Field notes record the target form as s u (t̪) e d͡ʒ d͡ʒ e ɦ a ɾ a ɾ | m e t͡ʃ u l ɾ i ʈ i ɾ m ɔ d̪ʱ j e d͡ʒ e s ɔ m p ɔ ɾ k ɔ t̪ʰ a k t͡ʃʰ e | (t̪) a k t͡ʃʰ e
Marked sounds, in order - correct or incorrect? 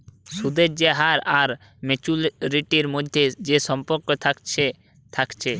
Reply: incorrect, incorrect

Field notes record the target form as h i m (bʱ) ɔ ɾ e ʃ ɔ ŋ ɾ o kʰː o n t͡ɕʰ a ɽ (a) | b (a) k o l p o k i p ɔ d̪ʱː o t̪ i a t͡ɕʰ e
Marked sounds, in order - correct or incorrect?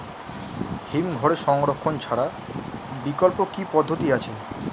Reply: incorrect, correct, incorrect

